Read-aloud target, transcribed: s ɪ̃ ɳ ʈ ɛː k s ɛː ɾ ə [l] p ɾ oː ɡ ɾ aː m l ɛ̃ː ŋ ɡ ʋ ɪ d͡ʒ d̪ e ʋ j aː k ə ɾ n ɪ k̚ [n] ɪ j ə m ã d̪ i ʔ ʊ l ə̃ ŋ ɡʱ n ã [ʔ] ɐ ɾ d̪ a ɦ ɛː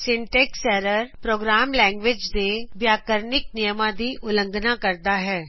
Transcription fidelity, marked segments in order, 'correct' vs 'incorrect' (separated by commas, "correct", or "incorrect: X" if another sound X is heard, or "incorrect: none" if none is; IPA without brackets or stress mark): incorrect: ɾ, correct, incorrect: k